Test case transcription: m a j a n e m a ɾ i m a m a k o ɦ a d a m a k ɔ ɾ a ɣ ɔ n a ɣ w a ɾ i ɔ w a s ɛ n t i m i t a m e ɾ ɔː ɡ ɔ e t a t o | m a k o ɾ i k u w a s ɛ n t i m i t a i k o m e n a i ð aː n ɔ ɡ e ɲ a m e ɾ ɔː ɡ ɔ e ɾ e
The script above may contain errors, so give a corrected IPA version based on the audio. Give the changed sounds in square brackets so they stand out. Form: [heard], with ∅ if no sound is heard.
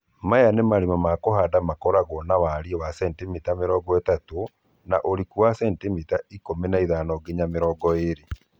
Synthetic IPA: m a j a n e m a ɾ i m a m a k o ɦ a d a m a k ɔ ɾ a ɣ ɔ n a [∅] w a ɾ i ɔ w a s ɛ n t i m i t a m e ɾ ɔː ɡ ɔ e t a t o | [n] a [ʔ] o ɾ i k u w a s ɛ n t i m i t a i k o m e n a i ð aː n ɔ ɡ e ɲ a m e ɾ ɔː ɡ ɔ e ɾ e